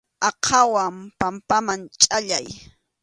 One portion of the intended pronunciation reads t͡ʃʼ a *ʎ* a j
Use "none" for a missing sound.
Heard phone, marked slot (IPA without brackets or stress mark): ʎ